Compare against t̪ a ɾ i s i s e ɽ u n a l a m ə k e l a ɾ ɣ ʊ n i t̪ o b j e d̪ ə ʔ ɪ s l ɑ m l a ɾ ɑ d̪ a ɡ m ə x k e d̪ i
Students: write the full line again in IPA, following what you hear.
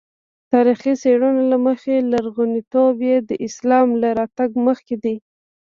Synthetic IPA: t̪ ɑ ɾ i x i s e ɽ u n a l a m ə x e l a ɾ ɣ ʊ n i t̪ o b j e d̪ ə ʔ ɪ s l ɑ m l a ɾ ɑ t̪ a ɡ m ə x k e d̪ i